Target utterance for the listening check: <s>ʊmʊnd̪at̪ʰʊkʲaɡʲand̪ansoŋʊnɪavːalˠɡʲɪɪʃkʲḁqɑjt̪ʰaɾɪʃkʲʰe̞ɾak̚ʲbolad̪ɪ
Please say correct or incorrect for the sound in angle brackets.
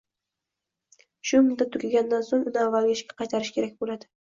incorrect